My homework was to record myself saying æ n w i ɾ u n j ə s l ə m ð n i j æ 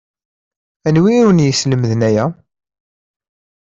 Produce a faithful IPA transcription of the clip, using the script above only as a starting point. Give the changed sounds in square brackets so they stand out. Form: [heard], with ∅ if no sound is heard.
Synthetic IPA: æ n w i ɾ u n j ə s l ə m ð n [æ] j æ